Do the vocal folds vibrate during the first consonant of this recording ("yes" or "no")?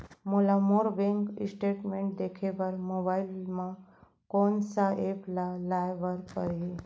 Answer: yes